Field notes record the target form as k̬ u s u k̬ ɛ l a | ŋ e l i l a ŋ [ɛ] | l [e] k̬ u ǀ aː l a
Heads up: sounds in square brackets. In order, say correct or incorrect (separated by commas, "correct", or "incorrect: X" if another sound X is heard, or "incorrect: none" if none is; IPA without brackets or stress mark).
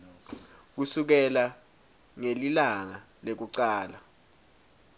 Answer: incorrect: a, correct